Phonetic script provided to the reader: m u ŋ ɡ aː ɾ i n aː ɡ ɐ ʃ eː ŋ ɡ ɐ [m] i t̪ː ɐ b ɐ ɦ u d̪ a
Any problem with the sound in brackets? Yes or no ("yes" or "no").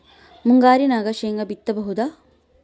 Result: yes